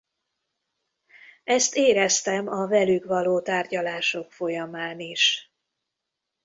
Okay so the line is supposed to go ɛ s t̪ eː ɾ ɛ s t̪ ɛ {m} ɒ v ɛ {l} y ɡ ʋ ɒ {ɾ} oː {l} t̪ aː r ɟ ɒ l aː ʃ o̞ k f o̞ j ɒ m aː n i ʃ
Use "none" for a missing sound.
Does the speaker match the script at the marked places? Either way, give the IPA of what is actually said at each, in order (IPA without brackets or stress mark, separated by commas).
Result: m, l, l, none